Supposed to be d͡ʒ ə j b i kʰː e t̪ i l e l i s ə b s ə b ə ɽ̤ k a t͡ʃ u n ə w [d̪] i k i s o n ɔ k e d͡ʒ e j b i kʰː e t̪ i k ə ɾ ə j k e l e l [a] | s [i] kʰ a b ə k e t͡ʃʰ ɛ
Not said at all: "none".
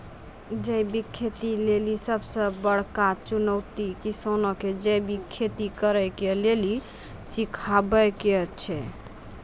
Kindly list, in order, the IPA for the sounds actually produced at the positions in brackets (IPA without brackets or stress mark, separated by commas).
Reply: t̪, i, i